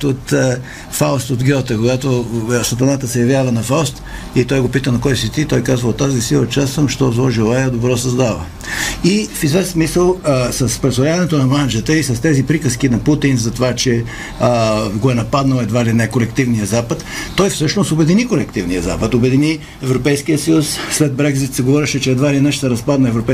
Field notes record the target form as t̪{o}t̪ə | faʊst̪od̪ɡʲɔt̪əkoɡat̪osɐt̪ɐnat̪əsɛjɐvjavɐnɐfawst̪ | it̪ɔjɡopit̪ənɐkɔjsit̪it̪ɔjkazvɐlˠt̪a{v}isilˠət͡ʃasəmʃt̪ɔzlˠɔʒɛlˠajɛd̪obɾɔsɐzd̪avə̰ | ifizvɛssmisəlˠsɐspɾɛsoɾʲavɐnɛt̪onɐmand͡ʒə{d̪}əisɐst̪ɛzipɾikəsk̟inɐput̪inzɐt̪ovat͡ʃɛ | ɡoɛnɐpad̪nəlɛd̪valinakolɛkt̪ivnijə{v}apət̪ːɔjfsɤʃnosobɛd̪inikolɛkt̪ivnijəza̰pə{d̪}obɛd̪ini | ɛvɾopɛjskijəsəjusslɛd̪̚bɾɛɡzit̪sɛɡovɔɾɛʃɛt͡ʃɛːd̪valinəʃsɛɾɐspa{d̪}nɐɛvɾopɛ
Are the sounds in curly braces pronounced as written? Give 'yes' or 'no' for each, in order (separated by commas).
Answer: yes, no, no, no, no, yes